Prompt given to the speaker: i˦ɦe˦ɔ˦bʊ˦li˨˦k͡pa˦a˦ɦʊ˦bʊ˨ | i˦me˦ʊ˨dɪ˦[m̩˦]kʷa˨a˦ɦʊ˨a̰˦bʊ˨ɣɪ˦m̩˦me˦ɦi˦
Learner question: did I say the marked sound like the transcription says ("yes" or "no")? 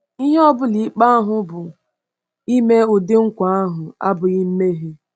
no